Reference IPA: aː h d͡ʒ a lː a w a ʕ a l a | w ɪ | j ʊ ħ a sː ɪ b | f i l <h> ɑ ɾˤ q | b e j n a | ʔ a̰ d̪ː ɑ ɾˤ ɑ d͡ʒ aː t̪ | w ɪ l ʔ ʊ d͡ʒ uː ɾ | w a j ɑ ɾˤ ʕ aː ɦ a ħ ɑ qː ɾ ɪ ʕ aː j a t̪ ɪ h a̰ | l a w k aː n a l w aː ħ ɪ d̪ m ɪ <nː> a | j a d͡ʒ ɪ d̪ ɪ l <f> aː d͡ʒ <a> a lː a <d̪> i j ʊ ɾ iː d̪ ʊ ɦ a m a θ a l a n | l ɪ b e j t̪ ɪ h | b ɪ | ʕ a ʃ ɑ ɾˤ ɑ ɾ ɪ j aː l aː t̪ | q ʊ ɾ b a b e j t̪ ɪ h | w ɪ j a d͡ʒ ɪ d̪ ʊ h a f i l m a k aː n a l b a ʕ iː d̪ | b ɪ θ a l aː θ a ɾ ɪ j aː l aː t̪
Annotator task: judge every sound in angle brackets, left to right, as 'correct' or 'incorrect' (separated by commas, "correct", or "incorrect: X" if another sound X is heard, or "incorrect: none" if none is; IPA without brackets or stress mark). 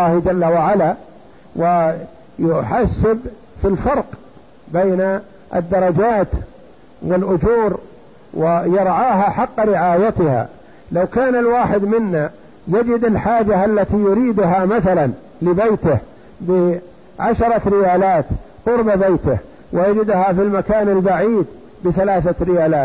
incorrect: f, correct, incorrect: ħ, correct, incorrect: t̪